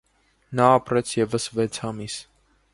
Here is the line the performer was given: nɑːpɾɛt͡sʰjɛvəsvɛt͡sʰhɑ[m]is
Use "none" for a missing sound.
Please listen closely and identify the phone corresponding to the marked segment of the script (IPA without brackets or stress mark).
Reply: m